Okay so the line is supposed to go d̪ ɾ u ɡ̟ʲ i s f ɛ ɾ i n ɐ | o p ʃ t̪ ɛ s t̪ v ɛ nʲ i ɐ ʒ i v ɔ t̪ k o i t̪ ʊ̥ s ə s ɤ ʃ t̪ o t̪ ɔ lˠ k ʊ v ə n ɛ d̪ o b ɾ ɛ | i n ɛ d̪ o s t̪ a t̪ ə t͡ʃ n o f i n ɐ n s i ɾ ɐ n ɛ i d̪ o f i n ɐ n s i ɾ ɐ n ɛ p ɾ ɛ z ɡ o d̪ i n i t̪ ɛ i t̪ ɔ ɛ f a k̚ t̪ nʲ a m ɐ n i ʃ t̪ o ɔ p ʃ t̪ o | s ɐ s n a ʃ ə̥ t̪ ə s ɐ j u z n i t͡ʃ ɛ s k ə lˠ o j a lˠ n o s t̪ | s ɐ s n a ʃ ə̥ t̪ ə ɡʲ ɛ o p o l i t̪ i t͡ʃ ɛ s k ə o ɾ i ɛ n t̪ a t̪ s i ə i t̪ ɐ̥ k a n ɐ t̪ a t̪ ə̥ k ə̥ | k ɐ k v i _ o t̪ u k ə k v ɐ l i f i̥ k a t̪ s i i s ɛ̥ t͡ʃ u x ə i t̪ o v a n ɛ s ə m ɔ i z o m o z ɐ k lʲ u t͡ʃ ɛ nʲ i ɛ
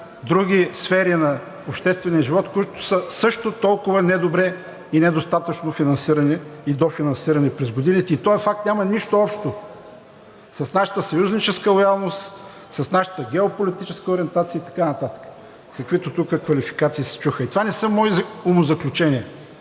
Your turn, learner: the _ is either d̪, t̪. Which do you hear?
t̪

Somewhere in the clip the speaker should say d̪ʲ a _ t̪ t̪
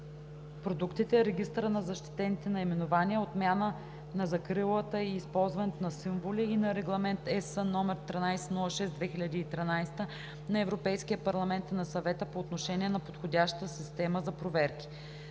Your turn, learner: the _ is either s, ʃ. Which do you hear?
ʃ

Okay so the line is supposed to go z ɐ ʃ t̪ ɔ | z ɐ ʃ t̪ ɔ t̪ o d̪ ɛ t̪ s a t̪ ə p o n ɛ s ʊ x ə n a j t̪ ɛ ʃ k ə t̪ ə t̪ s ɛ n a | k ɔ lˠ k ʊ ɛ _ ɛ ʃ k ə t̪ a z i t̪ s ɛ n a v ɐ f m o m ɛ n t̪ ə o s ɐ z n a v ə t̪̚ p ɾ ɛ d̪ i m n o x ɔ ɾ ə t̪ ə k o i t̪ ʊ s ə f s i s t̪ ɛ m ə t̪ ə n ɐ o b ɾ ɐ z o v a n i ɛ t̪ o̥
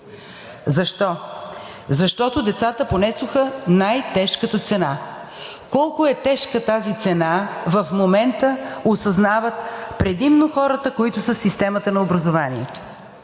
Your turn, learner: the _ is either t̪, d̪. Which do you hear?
t̪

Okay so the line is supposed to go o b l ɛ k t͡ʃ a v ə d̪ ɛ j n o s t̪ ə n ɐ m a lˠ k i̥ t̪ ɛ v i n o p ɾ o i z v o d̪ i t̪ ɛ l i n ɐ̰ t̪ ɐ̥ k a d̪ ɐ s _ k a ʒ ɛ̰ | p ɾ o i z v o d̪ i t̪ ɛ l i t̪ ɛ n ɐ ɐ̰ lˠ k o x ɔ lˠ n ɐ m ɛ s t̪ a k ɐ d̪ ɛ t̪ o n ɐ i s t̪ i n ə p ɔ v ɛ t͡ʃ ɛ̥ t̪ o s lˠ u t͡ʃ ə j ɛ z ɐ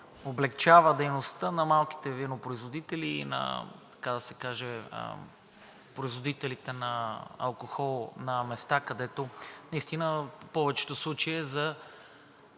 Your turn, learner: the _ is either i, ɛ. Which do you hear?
ɛ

